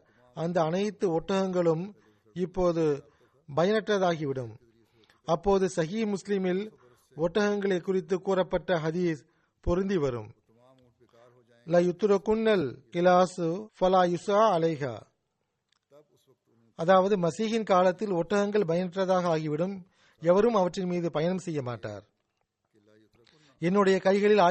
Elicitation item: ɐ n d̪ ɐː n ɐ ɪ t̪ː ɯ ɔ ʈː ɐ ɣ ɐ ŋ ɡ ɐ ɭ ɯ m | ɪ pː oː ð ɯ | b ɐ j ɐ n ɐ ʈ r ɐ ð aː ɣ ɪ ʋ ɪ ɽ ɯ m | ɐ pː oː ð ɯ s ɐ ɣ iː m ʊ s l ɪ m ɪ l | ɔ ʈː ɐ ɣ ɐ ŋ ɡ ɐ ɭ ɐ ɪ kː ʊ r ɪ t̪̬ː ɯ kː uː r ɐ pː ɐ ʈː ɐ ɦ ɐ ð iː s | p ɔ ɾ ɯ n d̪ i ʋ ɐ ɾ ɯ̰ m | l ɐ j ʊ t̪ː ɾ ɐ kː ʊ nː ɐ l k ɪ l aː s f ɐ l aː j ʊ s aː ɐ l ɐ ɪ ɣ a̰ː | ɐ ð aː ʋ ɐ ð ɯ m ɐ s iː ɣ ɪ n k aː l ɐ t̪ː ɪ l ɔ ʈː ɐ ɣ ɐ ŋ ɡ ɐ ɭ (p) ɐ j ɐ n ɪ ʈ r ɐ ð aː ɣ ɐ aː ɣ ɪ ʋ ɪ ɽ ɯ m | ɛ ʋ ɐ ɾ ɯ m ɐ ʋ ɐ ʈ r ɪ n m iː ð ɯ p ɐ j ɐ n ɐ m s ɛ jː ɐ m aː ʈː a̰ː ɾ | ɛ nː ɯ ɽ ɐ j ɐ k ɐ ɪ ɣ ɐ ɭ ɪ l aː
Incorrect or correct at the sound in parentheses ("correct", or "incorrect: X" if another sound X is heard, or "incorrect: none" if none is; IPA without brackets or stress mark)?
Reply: incorrect: b